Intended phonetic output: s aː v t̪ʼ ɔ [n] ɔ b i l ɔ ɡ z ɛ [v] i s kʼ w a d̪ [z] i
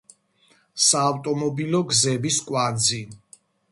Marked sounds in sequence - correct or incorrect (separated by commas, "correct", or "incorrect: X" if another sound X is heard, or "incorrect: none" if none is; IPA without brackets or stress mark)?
incorrect: m, incorrect: b, correct